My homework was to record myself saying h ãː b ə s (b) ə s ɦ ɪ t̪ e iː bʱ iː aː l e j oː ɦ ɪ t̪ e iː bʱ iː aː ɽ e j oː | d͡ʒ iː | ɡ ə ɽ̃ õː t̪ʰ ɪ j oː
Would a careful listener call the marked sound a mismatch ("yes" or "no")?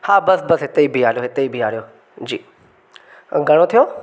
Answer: no